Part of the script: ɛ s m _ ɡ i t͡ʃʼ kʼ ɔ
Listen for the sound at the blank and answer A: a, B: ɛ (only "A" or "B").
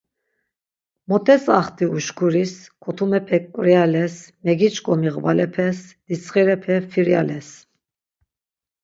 B